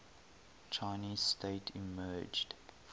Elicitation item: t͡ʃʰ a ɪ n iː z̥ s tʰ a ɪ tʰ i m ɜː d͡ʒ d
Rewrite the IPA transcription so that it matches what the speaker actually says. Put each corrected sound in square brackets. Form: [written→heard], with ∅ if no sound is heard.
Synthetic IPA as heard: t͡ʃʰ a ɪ n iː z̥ s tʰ [a→e] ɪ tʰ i m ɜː d͡ʒ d